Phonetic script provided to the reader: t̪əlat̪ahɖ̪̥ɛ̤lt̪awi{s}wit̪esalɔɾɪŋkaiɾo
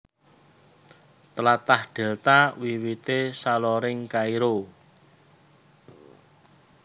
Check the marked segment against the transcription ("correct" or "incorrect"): incorrect